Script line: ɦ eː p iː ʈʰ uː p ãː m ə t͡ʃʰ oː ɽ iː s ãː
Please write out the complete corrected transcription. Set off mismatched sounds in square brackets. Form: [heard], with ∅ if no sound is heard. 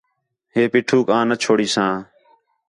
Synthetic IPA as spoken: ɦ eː p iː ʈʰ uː [k] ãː [n] ə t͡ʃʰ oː ɽ iː s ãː